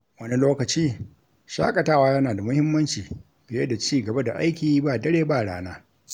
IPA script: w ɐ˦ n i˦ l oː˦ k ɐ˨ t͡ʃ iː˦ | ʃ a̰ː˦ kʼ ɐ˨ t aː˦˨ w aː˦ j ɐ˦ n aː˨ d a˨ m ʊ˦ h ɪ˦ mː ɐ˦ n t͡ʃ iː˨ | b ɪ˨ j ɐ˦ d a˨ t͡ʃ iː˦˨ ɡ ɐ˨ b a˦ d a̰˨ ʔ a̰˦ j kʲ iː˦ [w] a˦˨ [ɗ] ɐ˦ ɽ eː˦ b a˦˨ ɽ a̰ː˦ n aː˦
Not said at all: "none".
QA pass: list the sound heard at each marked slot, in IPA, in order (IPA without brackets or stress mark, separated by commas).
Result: b, d